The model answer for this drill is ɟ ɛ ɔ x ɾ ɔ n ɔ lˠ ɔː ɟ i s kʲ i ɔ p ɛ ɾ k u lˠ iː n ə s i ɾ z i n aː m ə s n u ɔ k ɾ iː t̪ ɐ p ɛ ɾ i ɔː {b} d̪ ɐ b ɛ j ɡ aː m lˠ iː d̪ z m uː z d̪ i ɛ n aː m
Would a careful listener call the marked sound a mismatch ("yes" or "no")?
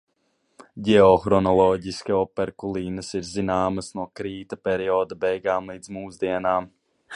yes